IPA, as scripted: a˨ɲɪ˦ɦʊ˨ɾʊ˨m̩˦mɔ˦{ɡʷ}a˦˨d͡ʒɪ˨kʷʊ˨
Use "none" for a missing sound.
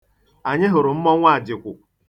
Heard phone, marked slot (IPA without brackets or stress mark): ŋʷ